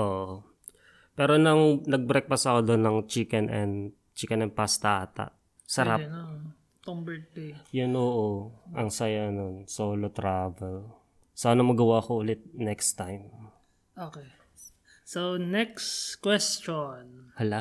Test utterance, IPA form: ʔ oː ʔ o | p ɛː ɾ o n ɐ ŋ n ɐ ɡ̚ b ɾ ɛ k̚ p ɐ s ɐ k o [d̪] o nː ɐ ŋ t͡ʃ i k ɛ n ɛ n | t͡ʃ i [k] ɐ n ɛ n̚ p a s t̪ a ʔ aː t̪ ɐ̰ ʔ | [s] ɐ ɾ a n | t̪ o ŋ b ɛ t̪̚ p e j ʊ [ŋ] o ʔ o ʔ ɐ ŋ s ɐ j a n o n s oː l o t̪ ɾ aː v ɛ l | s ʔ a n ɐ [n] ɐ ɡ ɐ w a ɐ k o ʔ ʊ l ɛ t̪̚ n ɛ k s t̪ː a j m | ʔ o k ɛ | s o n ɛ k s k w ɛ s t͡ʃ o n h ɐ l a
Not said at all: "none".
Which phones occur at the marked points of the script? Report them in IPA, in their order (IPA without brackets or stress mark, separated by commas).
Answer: d̪, k, s, n, m